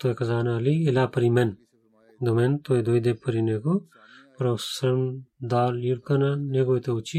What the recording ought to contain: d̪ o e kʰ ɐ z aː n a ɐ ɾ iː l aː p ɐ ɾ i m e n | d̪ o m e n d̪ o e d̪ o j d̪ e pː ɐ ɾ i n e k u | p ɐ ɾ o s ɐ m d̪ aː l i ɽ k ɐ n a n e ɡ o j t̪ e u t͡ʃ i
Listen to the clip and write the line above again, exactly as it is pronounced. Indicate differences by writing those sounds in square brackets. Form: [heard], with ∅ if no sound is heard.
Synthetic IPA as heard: [t̪] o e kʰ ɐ z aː n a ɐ [l] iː l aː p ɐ ɾ i m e n | d̪ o m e n [t̪] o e d̪ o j d̪ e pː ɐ ɾ i n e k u | p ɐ ɾ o s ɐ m d̪ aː l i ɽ k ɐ n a n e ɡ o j t̪ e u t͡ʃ i